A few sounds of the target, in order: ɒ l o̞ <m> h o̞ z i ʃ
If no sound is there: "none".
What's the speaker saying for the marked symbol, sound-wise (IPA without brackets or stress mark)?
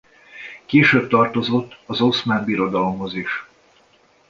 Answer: m